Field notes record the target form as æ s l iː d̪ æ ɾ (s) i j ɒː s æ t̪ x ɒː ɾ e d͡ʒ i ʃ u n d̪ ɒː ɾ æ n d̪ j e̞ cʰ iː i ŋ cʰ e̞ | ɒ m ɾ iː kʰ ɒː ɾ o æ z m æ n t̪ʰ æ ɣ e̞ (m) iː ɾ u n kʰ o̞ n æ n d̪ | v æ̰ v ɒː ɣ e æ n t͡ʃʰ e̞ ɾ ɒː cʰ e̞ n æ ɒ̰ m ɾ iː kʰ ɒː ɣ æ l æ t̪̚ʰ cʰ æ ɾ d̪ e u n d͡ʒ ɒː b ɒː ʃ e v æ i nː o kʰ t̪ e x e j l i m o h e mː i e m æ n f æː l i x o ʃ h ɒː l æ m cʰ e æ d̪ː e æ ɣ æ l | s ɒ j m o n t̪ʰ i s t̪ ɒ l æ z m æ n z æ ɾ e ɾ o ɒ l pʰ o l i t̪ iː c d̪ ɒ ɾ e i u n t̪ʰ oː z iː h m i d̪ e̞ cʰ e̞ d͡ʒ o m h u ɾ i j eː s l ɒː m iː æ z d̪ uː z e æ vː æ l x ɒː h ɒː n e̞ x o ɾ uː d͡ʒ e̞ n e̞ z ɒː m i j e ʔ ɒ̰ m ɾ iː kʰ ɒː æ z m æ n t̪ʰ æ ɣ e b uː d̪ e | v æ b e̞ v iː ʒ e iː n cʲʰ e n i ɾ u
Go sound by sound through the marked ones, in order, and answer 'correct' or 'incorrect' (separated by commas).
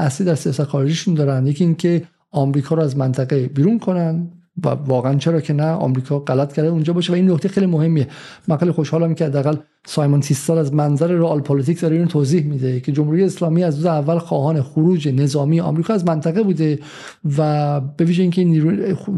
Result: correct, incorrect